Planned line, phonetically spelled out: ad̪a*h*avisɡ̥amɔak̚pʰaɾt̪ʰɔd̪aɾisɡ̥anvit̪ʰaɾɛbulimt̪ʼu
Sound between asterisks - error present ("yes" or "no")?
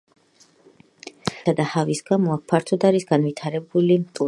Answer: no